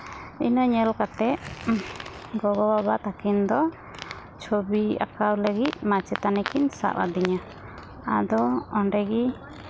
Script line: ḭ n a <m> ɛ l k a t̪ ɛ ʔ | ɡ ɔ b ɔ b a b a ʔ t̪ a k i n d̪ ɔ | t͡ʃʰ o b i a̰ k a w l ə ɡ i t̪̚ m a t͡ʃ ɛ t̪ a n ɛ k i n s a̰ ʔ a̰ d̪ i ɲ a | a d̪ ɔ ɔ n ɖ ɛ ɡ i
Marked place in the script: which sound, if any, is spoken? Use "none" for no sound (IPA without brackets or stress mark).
ɲ